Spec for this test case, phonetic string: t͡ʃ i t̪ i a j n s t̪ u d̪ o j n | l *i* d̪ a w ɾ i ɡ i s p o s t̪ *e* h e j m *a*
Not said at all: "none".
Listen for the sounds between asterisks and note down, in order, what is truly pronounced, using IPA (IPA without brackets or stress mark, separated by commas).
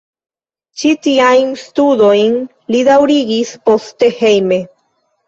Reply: i, e, e